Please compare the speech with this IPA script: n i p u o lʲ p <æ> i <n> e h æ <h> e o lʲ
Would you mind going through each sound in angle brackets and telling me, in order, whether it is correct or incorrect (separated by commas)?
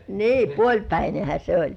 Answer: correct, correct, incorrect